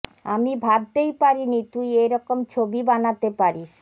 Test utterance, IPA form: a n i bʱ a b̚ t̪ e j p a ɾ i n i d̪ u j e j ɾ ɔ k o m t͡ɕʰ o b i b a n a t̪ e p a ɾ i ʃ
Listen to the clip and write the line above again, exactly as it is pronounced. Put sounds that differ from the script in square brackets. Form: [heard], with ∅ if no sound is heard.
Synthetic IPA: a [m] i bʱ a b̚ t̪ e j p a ɾ i n i [t̪] u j e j ɾ ɔ k o m t͡ɕʰ o b i b a n a t̪ e p a ɾ i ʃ

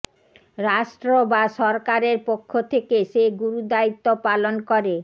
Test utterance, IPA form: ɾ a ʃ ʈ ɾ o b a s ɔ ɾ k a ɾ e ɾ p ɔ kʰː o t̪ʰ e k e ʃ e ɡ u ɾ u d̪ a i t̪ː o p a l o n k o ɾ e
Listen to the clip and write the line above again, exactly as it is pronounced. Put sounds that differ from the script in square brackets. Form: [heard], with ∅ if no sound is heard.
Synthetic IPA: ɾ a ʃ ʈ ɾ o b a [ʃ] ɔ ɾ k a ɾ e ɾ p [o] kʰː o t̪ʰ e k e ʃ e ɡ u ɾ u d̪ a i t̪ː o p a l o n k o ɾ e

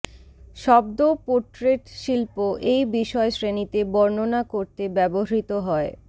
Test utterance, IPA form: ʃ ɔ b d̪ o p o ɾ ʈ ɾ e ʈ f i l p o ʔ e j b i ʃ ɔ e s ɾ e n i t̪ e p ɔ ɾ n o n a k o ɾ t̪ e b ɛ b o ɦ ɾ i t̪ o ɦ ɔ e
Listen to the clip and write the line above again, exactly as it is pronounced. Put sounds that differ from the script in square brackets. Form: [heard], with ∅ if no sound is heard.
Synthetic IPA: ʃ ɔ b d̪ o p o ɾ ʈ ɾ e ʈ [ʃ] i l p o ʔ e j b i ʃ ɔ e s ɾ e n i t̪ e [b] ɔ ɾ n o n a k o ɾ t̪ e b ɛ b o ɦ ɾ i t̪ o ɦ ɔ e

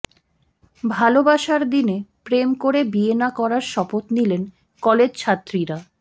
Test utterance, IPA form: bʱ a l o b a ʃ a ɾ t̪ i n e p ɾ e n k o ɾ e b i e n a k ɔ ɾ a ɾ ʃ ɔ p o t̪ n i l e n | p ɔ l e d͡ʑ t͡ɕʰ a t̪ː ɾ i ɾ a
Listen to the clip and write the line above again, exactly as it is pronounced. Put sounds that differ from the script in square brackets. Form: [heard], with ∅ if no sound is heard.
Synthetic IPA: bʱ a l o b a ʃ a ɾ [d̪] i n e p ɾ e [m] k o ɾ e b i e n a k ɔ ɾ a ɾ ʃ ɔ p o t̪ n i l e n | [k] ɔ l e d͡ʑ t͡ɕʰ a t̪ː ɾ i ɾ a

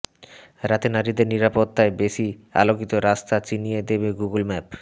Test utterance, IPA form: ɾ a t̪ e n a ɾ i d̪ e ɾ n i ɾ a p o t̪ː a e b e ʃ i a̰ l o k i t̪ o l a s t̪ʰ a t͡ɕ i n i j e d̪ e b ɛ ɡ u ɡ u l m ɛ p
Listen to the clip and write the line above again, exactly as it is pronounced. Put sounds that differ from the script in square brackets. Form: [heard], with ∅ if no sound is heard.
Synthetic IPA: ɾ a t̪ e n a ɾ i d̪ e ɾ n i ɾ a p o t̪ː a e b e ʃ i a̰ l o k i t̪ o [ɾ] a s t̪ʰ a t͡ɕ i n i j e d̪ e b [e] ɡ u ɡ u l m ɛ p

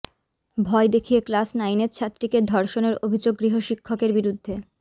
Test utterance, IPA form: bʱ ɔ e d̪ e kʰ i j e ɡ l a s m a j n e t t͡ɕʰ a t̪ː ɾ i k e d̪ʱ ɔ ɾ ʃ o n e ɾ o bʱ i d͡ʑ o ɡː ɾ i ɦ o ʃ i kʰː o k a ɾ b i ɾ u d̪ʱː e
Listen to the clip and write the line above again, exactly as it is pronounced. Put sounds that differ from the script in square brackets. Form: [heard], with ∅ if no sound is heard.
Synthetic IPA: bʱ ɔ e d̪ e kʰ i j e [k] l a s [n] a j n e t t͡ɕʰ a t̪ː ɾ i k e d̪ʱ ɔ ɾ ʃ o n e ɾ o bʱ i d͡ʑ o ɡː ɾ i ɦ o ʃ i kʰː o k [e] ɾ b i ɾ u d̪ʱː e

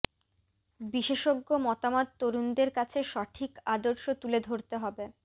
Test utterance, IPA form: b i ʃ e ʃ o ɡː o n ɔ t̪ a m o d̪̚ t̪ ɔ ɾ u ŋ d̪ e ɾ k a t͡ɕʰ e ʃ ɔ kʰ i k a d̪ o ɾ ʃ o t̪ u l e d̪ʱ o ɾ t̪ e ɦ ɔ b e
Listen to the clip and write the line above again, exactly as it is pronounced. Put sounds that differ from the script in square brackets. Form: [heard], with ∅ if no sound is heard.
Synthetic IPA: b i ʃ e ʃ o ɡː o [m] ɔ t̪ a m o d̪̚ t̪ [o] ɾ u [n] d̪ e ɾ k a t͡ɕʰ e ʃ ɔ [ʈʰ] i k a d̪ o ɾ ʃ o t̪ u l e d̪ʱ o ɾ t̪ e ɦ ɔ b e

